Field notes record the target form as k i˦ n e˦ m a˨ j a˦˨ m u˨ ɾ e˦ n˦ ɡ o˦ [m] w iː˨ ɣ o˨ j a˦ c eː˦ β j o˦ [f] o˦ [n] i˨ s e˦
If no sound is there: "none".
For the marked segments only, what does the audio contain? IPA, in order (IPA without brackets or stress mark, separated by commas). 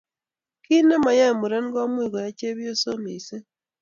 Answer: m, s, m